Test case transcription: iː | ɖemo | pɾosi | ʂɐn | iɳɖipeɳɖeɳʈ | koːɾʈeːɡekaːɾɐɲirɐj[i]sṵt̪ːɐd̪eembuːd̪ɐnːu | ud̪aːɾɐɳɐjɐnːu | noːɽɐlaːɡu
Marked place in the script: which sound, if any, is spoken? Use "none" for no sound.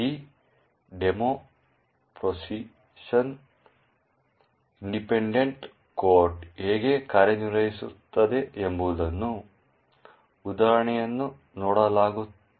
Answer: i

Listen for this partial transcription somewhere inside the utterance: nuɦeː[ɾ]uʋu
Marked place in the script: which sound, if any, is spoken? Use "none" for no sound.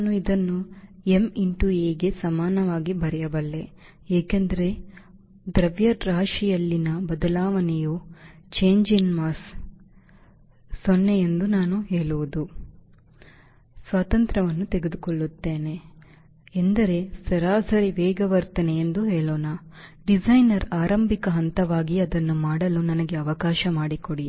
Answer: ɭ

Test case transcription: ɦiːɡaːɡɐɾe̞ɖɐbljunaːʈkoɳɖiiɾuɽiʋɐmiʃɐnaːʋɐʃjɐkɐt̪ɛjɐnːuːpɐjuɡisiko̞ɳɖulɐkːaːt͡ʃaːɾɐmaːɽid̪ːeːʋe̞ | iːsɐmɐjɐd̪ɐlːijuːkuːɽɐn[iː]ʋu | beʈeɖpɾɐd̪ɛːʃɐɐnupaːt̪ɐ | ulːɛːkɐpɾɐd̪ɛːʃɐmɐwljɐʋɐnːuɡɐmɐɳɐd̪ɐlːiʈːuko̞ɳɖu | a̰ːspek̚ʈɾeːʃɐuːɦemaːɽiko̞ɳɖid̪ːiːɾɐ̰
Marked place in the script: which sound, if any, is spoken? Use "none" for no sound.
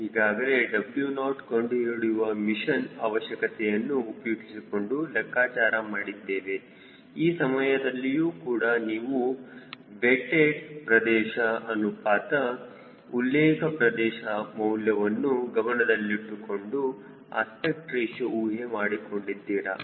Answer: iː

